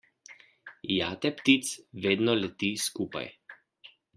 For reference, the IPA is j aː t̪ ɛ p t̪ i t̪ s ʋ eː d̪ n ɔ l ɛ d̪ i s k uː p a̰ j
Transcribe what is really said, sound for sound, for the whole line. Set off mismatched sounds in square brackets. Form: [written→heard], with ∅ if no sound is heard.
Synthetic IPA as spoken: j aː t̪ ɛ p t̪ i t̪ s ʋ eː d̪ n ɔ l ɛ [d̪→t̪] i s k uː p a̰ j